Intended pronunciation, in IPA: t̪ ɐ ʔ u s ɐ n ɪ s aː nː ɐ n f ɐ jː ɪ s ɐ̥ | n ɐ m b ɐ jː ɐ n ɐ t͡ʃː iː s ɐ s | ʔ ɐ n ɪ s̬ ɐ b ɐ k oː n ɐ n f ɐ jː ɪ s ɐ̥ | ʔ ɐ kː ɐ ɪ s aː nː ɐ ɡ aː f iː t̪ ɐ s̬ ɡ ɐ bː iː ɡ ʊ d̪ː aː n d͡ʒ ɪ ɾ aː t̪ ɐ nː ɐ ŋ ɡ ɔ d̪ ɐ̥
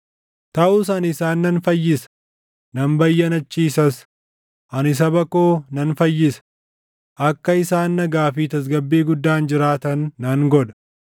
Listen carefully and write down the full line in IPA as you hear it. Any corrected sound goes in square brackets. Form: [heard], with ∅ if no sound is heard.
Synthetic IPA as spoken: t̪ ɐ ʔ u s ɐ n ɪ s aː nː ɐ n f ɐ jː ɪ s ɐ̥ | n ɐ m b ɐ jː ɐ n ɐ t͡ʃː iː s ɐ s | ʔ ɐ n ɪ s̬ ɐ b ɐ k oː n ɐ n f ɐ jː ɪ s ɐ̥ | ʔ ɐ kː ɐ ɪ s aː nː ɐ ɡ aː f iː t̪ ɐ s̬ ɡ ɐ bː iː ɡ ʊ d̪ː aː n d͡ʒ ɪ ɾ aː t̪ ɐ nː ɐ ŋ ɡ ɔ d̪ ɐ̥

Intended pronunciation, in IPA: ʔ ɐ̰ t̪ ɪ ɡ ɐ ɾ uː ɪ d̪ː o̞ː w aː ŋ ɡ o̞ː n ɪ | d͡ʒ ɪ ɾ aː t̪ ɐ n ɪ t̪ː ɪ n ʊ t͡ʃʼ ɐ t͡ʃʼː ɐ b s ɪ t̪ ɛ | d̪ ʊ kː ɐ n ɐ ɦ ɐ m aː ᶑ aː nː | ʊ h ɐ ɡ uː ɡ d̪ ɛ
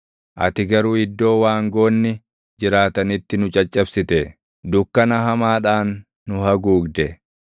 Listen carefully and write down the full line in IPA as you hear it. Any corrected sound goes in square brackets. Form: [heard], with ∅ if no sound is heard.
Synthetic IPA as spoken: ʔ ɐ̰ t̪ ɪ ɡ ɐ ɾ uː ɪ d̪ː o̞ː w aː ŋ ɡ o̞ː [nː] ɪ | d͡ʒ ɪ ɾ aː t̪ ɐ n ɪ t̪ː ɪ n ʊ t͡ʃʼ ɐ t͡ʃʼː ɐ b s ɪ t̪ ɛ | d̪ ʊ kː ɐ n ɐ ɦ ɐ m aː ᶑ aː nː | ʊ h ɐ ɡ uː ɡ d̪ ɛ

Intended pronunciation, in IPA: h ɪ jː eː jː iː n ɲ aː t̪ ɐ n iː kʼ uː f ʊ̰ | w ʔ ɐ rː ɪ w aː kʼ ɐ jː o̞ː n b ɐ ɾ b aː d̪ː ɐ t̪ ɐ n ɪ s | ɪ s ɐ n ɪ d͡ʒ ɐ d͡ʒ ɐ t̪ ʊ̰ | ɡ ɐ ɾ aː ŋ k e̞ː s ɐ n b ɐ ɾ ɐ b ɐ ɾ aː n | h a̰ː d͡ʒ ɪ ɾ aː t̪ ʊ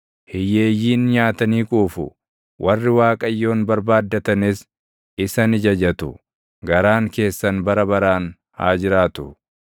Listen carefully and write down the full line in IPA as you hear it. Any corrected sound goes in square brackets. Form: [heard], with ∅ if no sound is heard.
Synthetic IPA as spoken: h ɪ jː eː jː iː n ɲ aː t̪ ɐ n iː kʼ uː f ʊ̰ | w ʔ ɐ rː ɪ w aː kʼ ɐ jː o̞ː n b ɐ ɾ b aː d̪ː ɐ t̪ ɐ n ɪ s | ɪ s ɐ n ɪ d͡ʒ ɐ d͡ʒ ɐ t̪ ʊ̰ | ɡ ɐ ɾ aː ŋ k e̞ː [sː] ɐ n b ɐ ɾ ɐ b ɐ ɾ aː n | h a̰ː d͡ʒ ɪ ɾ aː t̪ ʊ

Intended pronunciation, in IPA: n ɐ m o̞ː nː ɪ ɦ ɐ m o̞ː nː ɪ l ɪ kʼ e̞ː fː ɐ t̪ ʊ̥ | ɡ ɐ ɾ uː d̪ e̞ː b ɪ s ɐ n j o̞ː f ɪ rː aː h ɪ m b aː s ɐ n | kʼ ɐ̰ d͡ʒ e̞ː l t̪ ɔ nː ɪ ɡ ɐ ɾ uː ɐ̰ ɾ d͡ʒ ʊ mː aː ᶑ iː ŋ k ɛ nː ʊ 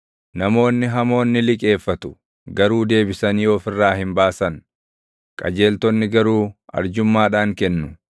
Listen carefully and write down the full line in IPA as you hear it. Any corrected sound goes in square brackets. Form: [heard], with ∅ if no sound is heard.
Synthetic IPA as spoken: n ɐ m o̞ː nː ɪ ɦ ɐ m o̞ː nː ɪ l ɪ kʼ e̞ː fː ɐ t̪ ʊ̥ | ɡ ɐ ɾ uː d̪ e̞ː b ɪ s ɐ n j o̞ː f ɪ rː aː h ɪ m b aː s ɐ n | kʼ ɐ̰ d͡ʒ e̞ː l t̪ ɔ nː ɪ ɡ ɐ ɾ uː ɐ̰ ɾ d͡ʒ ʊ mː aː ᶑ [aː] ŋ k ɛ nː ʊ

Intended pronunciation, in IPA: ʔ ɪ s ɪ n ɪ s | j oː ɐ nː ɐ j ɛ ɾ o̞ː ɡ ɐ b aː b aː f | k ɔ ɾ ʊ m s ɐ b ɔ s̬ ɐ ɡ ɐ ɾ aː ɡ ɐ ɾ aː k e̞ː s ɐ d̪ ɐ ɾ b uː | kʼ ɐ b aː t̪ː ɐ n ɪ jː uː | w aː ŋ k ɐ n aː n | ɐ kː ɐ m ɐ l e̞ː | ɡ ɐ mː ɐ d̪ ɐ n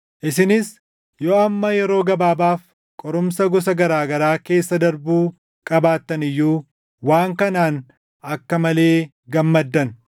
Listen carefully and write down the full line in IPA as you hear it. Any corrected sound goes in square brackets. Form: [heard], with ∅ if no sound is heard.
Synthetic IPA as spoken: ʔ ɪ s ɪ n ɪ s | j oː ɐ [mː] ɐ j ɛ ɾ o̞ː ɡ ɐ b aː b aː f | [kʼ] ɔ ɾ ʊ m s ɐ [ɡ] ɔ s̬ ɐ ɡ ɐ ɾ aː ɡ ɐ ɾ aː k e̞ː [sː] ɐ d̪ ɐ ɾ b uː | kʼ ɐ b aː t̪ː ɐ n ɪ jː uː | w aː ŋ k ɐ n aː n | ɐ kː ɐ m ɐ l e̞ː | ɡ ɐ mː ɐ [d̪ː] ɐ n

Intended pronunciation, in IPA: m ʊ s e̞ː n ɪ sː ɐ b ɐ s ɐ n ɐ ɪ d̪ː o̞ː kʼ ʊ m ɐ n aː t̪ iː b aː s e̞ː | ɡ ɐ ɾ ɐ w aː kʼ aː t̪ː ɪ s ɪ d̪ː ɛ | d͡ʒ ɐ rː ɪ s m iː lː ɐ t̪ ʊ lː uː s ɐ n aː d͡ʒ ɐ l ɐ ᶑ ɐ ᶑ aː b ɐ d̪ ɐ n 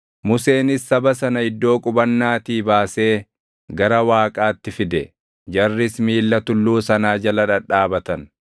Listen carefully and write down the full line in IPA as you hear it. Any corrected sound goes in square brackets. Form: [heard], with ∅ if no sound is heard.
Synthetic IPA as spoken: m ʊ s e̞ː n ɪ sː ɐ b ɐ s ɐ n ɐ ɪ d̪ː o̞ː kʼ ʊ [b] ɐ [nː] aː t̪ iː b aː s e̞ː | ɡ ɐ ɾ ɐ w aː kʼ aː t̪ː ɪ [f] ɪ [d̪] ɛ | d͡ʒ ɐ rː ɪ s m iː lː ɐ t̪ ʊ lː uː s ɐ n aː d͡ʒ ɐ l ɐ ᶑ ɐ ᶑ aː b ɐ [t̪] ɐ n

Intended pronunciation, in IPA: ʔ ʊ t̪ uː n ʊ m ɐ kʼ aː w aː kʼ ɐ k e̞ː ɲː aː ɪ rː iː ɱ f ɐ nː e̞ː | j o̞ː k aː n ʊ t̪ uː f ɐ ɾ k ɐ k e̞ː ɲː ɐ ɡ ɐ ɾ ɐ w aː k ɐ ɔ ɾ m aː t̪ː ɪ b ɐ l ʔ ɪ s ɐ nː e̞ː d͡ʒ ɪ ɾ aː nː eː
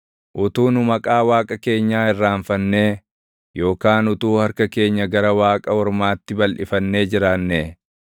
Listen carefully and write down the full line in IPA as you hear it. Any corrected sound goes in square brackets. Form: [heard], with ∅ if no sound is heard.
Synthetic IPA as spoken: ʔ ʊ t̪ uː n ʊ m ɐ kʼ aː w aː kʼ ɐ k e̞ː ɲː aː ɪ rː [aː] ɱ f ɐ nː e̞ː | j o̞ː k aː n ʊ t̪ uː [h] ɐ ɾ k ɐ k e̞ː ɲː ɐ ɡ ɐ ɾ ɐ w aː [kʼ] ɐ ɔ ɾ m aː t̪ː ɪ b ɐ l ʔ ɪ [f] ɐ nː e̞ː d͡ʒ ɪ ɾ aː nː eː

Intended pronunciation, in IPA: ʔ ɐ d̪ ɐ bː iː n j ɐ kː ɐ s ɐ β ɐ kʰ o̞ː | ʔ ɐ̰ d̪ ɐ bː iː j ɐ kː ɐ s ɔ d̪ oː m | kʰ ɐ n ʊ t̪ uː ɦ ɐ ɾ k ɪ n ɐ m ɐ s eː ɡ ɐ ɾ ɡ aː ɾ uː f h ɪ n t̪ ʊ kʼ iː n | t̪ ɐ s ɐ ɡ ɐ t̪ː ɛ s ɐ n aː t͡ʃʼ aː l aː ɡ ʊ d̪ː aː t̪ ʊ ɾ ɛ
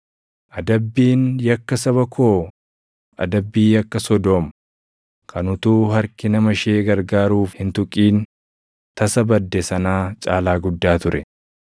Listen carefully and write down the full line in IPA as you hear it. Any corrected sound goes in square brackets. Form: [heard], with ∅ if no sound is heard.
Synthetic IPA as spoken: ʔ ɐ d̪ ɐ bː iː n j ɐ kː ɐ s ɐ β ɐ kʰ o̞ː | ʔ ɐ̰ d̪ ɐ bː iː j ɐ kː ɐ s ɔ d̪ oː m | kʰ ɐ n ʊ t̪ uː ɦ ɐ ɾ k ɪ n ɐ m ɐ [ʃ] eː ɡ ɐ ɾ ɡ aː ɾ uː f h ɪ n t̪ ʊ kʼ iː n | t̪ ɐ s ɐ [b] ɐ [d̪ː] ɛ s ɐ n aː t͡ʃʼ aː l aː ɡ ʊ d̪ː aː t̪ ʊ ɾ ɛ

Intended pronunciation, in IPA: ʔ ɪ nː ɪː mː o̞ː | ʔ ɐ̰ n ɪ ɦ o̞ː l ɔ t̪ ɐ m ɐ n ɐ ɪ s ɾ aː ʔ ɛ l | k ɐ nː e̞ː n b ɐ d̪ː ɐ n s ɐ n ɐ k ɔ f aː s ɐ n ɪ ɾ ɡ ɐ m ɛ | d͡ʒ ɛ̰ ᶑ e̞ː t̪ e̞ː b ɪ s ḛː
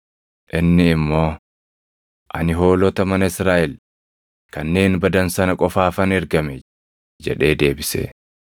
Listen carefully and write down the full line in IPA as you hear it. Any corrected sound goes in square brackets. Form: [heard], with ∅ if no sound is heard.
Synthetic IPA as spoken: ʔ ɪ nː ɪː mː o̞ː | ʔ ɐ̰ n ɪ ɦ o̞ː l ɔ t̪ ɐ m ɐ n ɐ ɪ s ɾ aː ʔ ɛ l | k ɐ nː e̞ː n b ɐ [d̪] ɐ n s ɐ n ɐ [kʼ] ɔ f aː [f] ɐ n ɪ ɾ ɡ ɐ m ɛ | d͡ʒ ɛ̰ ᶑ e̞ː [d̪] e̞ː b ɪ s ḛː

